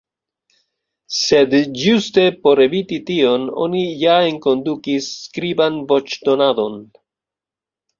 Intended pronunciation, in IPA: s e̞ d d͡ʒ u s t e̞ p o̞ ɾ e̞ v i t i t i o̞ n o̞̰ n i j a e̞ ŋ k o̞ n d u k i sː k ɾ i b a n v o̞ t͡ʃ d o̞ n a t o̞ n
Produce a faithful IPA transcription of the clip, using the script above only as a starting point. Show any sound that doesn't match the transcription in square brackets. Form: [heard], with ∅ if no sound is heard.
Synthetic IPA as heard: s e̞ d d͡ʒ u s t e̞ p o̞ ɾ e̞ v i t i t i o̞ n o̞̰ n i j a e̞ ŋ k o̞ n d u k i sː k ɾ i b a n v o̞ t͡ʃ d o̞ n a [d] o̞ n